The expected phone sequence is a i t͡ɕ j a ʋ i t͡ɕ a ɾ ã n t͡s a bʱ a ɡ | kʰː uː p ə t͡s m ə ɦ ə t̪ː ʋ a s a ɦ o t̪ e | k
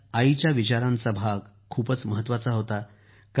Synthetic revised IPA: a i t͡ɕ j a ʋ i t͡ɕ a ɾ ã n t͡s a bʱ a ɡ | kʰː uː p ə t͡s m ə ɦ ə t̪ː ʋ a t͡s a ɦ o t̪ a | k